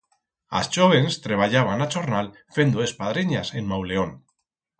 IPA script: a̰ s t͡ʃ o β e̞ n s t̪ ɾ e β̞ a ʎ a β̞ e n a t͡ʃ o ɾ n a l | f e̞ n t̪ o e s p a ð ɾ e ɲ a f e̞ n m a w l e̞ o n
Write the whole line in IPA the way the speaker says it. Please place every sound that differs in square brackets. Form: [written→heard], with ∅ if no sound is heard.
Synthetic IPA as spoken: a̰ s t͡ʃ o β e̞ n s t̪ ɾ e β̞ a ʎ a β̞ [e→a] n a t͡ʃ o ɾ n a l | f e̞ n [t̪→d̪] o e s p a ð ɾ e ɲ a [f→s] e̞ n m a w l e̞ o n